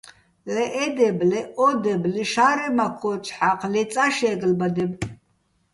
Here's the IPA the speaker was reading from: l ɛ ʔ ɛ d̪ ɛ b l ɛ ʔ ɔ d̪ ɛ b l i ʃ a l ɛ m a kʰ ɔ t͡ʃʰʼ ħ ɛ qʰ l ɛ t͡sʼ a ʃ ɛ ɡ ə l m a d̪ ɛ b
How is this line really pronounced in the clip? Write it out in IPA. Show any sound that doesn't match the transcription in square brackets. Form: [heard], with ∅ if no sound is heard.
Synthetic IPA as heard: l ɛ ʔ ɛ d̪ ɛ b l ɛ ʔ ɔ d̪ ɛ b l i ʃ a [ɾ] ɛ m a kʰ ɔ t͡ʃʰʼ ħ [a] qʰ l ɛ t͡sʼ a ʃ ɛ ɡ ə l [b] a d̪ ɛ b